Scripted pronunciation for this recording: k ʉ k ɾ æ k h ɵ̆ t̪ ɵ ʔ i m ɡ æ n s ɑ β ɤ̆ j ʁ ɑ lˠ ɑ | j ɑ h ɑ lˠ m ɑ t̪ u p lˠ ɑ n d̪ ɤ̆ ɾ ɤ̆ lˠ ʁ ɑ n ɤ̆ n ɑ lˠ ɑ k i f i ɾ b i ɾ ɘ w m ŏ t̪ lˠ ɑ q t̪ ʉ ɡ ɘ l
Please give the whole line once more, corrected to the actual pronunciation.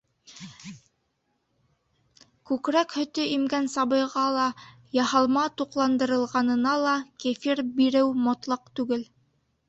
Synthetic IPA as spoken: k ʉ k ɾ æ k h ɵ̆ t̪ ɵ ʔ i m ɡ æ n s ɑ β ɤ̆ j ʁ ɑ lˠ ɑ | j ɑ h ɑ lˠ m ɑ t̪ u q lˠ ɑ n d̪ ɤ̆ ɾ ɤ̆ lˠ ʁ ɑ n ɤ̆ n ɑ lˠ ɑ k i f i ɾ b i ɾ ɘ w m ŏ t̪ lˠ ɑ q t̪ ʉ ɡ ɘ l